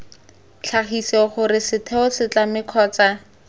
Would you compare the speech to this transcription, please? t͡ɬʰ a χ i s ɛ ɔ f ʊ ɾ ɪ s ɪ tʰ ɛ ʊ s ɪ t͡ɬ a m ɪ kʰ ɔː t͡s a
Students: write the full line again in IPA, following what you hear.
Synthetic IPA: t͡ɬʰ a χ i s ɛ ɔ χ ʊ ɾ ɪ s ɪ tʰ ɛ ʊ s ɪ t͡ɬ a m ɪ kʰ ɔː t͡s a